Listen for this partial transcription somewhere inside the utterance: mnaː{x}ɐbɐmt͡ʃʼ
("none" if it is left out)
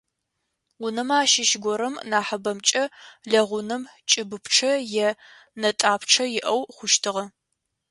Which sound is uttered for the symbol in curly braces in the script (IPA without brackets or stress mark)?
ħ